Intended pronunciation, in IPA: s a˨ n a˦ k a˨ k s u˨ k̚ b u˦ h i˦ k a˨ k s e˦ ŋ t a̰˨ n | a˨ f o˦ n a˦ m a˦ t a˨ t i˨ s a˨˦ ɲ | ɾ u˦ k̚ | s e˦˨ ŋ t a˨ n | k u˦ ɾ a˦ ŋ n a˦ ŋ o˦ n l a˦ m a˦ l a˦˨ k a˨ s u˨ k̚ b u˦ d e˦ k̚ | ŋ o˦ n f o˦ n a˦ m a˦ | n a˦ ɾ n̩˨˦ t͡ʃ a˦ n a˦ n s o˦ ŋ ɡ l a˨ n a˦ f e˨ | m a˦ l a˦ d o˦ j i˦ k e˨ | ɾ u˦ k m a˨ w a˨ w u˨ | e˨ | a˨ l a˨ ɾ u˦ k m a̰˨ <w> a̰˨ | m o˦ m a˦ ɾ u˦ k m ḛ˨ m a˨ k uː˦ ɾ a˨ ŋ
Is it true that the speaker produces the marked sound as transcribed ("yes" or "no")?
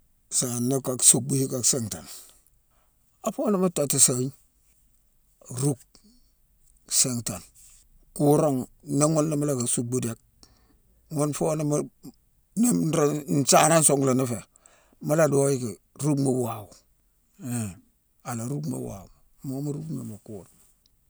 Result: yes